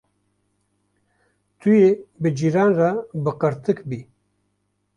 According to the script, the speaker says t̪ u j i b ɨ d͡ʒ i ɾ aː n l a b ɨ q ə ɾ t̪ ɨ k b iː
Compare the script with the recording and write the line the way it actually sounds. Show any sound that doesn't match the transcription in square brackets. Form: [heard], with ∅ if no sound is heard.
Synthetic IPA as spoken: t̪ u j [e] b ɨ d͡ʒ i ɾ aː n [r] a b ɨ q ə ɾ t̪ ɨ k b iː

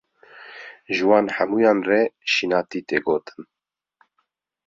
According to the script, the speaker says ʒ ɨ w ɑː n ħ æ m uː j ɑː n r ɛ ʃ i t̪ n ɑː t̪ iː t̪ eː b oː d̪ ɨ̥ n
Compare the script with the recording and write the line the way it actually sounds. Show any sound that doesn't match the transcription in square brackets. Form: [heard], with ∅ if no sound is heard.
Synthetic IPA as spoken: ʒ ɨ w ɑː n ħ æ m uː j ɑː n r ɛ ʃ i [∅] n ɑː t̪ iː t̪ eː [ɡ] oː [t̪] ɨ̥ n

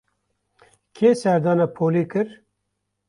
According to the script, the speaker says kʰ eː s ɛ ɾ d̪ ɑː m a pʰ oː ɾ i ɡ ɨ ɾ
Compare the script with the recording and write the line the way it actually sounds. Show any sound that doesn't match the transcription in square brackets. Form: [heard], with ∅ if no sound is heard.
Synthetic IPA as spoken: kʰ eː s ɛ ɾ d̪ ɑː [n] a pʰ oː [l] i [k] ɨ ɾ

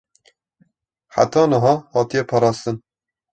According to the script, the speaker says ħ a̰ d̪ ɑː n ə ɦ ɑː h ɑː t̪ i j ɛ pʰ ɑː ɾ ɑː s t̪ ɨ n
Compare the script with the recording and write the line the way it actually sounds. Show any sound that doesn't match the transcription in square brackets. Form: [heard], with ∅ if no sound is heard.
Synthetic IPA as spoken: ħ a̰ [t̪] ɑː n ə ɦ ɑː h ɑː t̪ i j ɛ pʰ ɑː ɾ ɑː s t̪ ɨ n

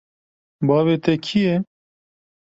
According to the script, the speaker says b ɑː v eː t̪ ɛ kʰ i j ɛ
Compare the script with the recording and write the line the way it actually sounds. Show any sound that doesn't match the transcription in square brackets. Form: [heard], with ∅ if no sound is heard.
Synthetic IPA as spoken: b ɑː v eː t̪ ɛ kʰ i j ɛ

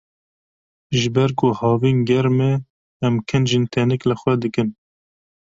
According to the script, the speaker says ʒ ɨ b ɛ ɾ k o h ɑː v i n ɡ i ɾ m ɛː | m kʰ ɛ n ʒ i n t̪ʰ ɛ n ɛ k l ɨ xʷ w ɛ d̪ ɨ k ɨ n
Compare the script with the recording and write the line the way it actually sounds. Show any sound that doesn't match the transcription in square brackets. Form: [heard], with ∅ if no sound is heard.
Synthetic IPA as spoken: ʒ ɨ b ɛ ɾ k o h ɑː v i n ɡ [ɛ] ɾ m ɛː | m kʰ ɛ n ʒ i n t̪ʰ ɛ n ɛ k l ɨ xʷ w ɛ d̪ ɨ k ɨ n

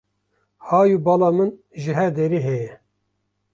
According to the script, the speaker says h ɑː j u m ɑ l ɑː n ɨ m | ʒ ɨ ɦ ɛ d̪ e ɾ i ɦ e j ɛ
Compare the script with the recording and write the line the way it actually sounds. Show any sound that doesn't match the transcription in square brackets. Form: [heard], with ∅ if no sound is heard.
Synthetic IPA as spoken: h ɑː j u [b] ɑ l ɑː [m] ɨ [n] | ʒ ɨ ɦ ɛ d̪ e ɾ i ɦ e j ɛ

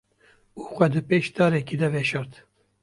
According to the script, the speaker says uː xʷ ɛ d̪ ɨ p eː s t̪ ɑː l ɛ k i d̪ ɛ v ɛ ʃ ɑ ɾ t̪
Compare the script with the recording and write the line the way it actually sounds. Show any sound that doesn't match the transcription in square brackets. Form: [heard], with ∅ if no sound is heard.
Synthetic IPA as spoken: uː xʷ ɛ d̪ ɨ p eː [ʃ] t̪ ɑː [ɾ] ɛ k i d̪ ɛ v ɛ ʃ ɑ ɾ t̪

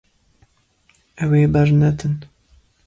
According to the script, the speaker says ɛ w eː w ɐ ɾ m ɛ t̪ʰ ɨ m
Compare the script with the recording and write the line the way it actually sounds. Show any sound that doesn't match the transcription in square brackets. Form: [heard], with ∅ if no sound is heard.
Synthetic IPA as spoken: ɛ w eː [b] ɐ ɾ [n] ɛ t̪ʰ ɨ [n]

